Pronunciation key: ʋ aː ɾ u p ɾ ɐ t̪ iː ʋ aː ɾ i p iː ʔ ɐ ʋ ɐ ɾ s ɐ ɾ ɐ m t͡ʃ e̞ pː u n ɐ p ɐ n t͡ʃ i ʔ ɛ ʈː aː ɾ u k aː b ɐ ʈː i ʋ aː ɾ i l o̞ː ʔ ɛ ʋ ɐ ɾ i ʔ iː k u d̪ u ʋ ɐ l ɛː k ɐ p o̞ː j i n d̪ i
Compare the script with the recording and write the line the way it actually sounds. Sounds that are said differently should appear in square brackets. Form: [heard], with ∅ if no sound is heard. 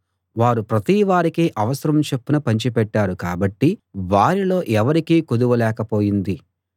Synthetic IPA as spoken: ʋ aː ɾ u p ɾ ɐ t̪ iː ʋ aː ɾ i [k] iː ʔ ɐ ʋ ɐ [∅] s ɐ ɾ ɐ m t͡ʃ e̞ pː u n ɐ p ɐ [ɲ] t͡ʃ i [p] ɛ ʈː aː ɾ u k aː b ɐ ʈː i ʋ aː ɾ i l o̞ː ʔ ɛ ʋ ɐ ɾ i [k] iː k u d̪ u ʋ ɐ l ɛː k ɐ p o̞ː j i n d̪ i